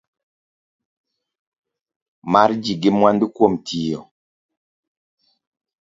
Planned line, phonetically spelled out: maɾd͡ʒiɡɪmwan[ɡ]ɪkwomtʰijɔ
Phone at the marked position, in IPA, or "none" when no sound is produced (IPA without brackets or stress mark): d